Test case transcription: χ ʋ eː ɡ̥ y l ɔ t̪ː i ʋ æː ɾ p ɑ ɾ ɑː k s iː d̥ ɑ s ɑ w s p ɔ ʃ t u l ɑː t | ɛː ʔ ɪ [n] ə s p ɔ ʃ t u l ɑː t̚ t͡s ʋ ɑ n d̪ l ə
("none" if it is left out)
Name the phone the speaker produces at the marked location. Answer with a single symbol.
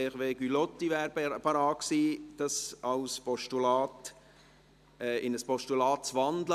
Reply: n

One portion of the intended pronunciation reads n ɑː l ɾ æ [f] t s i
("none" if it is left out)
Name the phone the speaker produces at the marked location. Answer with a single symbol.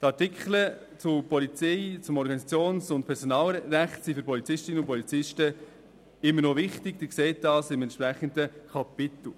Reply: χ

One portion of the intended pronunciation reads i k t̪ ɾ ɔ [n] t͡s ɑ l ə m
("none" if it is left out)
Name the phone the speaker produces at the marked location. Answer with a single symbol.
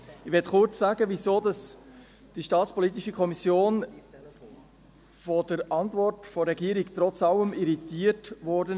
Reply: none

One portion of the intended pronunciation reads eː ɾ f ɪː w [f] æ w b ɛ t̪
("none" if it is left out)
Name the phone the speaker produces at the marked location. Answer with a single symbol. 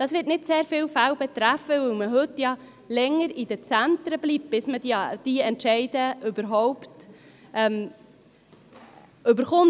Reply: f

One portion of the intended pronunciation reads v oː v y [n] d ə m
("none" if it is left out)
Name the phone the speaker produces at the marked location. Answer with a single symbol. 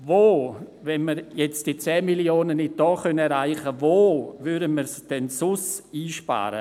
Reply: none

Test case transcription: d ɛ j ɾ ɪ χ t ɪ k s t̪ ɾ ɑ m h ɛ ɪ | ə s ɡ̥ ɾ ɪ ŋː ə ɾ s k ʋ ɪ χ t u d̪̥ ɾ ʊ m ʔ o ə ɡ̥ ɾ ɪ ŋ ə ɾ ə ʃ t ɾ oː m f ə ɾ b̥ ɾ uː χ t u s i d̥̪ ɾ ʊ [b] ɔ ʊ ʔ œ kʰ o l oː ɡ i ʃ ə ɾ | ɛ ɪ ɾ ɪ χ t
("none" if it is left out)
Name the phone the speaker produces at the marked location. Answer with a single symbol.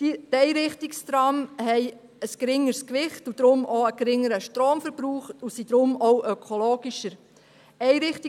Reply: m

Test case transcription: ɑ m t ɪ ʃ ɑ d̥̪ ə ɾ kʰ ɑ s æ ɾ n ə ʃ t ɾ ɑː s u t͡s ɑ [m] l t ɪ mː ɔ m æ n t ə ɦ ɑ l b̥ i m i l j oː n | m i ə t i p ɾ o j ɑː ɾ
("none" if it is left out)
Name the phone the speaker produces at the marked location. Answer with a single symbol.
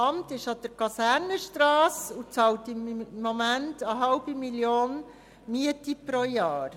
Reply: none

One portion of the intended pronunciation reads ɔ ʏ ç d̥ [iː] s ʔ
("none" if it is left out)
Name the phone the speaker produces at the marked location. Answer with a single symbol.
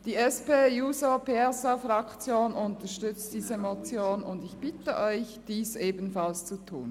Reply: iː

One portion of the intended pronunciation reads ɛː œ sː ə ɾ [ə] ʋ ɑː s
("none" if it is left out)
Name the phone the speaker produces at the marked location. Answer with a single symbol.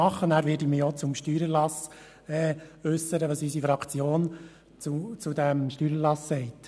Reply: ə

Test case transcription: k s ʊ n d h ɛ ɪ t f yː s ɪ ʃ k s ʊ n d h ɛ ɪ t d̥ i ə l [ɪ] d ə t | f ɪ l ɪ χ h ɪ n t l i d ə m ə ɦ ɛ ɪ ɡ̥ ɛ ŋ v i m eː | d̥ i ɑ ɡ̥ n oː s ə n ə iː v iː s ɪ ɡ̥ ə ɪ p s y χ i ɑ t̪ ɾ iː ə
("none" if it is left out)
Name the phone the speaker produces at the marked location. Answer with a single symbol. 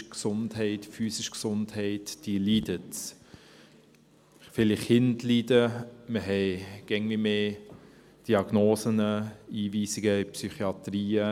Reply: i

